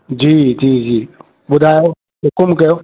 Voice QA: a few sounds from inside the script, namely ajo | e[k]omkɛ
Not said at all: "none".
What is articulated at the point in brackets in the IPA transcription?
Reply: k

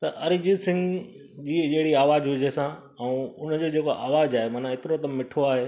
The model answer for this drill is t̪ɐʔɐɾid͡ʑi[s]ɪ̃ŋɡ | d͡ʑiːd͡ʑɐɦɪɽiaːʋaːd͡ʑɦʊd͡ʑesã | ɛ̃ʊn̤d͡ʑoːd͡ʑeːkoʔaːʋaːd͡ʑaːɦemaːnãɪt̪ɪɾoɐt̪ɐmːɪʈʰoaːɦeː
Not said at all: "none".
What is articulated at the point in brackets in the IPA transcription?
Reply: s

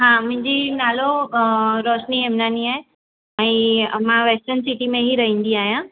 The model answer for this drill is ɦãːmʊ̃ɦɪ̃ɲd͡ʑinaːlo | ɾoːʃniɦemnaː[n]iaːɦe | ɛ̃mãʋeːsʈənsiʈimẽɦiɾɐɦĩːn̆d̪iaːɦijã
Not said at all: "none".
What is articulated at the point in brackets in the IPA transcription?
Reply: n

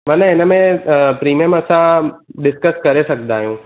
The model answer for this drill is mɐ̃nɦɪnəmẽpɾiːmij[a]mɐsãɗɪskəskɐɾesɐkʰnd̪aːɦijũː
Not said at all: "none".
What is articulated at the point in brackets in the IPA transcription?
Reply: ə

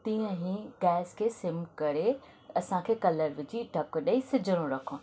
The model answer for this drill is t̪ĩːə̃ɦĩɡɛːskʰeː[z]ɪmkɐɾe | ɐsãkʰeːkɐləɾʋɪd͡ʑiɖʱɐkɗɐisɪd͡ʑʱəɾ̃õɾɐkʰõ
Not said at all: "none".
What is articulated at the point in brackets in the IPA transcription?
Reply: s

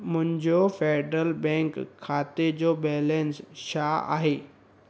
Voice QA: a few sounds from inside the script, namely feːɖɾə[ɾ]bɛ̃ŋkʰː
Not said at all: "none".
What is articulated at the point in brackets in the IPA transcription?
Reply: l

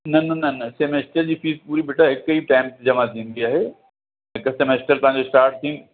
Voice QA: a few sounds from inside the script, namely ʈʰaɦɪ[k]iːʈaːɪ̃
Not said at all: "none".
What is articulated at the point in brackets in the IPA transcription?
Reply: k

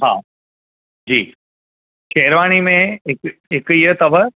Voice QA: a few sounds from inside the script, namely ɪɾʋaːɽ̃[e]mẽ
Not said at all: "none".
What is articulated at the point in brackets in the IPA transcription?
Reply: i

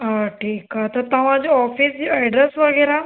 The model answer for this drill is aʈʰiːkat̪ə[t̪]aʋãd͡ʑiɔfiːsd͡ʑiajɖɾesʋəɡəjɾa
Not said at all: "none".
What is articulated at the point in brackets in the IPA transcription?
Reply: t̪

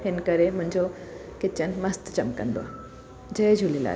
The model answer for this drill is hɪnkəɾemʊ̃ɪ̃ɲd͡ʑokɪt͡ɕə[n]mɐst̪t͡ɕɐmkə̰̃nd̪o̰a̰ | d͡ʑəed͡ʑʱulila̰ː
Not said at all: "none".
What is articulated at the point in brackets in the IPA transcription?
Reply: n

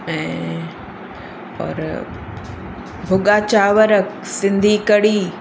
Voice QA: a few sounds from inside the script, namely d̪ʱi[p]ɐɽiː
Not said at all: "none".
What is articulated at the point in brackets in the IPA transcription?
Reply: k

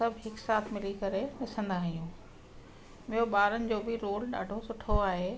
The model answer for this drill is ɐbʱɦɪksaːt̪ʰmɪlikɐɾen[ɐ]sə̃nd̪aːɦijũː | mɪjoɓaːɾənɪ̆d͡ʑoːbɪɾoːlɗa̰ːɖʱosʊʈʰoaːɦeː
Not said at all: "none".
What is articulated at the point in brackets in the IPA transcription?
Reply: ɐ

